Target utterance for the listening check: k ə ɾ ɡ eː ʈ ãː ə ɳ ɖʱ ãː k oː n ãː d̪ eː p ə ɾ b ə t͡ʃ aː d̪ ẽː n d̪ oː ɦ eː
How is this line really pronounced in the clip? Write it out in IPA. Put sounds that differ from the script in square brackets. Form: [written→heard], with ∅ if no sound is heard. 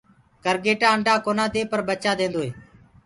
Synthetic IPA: k ə ɾ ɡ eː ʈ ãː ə ɳ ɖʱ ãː k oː n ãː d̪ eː p ə ɾ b ə t͡ʃ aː d̪ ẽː n d̪ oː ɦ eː